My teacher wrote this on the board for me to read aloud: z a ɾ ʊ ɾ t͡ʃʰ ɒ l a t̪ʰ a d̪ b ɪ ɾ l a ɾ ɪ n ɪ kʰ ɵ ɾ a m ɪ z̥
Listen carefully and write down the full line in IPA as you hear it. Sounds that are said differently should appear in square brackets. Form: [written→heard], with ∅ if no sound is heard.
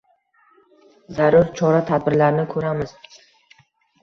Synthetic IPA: z a ɾ ʊ ɾ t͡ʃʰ ɒ [l→ɾ] a t̪ʰ a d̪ b ɪ ɾ l a ɾ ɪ n ɪ kʰ ɵ ɾ a m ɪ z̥